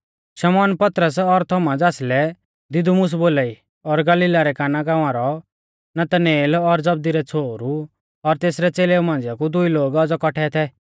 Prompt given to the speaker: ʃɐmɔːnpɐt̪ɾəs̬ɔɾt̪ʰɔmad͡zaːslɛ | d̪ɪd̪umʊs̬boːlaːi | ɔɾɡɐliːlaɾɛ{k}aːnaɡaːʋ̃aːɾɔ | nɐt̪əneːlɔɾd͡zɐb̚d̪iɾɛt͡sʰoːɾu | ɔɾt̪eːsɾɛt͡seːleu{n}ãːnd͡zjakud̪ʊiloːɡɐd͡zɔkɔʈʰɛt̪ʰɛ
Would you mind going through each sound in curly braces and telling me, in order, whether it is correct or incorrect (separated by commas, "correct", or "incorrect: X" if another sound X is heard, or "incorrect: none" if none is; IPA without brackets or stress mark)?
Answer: correct, incorrect: m